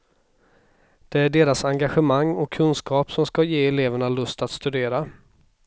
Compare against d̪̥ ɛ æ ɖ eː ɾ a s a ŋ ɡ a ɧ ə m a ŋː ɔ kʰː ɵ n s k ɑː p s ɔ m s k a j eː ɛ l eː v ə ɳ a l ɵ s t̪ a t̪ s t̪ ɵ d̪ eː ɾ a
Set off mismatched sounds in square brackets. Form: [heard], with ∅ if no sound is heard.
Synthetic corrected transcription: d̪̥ ɛ æ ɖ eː ɾ a s a ŋ ɡ a ɧ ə m a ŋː ɔ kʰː ɵ n s k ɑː p s ɔ m s k a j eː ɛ l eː v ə ɳ a l ɵ s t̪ a t̪ s t̪ ɵ d̪ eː ɾ a